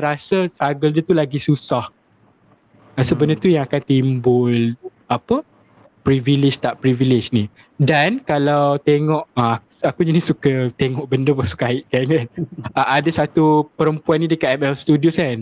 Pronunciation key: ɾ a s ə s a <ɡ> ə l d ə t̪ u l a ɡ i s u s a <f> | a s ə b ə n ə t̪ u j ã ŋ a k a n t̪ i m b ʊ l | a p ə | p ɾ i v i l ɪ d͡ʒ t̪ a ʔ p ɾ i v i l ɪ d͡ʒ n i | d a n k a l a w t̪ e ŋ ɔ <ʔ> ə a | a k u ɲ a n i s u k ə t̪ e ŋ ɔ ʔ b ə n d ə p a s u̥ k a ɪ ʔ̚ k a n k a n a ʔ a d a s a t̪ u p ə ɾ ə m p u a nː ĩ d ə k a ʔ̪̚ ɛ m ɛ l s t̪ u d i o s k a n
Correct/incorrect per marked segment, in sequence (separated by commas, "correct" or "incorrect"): correct, incorrect, correct